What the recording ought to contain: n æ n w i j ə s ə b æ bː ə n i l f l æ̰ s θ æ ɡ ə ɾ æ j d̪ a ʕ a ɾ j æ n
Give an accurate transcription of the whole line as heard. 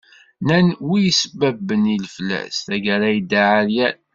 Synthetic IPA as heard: n æ n w i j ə s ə b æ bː ə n i l f l æ̰ s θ æ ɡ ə ɾ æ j d̪ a ʕ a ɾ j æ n